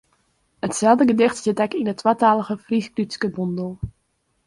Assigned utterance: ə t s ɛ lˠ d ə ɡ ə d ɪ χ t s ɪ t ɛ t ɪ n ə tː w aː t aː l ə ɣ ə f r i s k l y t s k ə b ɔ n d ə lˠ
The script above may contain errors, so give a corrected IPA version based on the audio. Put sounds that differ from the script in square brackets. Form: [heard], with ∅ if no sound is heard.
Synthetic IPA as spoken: ə t s ɛ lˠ d ə ɡ ə d ɪ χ t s ɪ t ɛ [k] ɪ n ə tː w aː t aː l ə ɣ ə f r i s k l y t s k ə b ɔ n d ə lˠ